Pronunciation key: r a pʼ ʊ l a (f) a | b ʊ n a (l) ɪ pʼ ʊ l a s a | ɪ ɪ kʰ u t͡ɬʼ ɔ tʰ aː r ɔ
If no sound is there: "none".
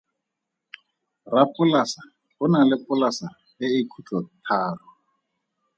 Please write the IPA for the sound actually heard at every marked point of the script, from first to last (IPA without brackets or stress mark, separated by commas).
s, l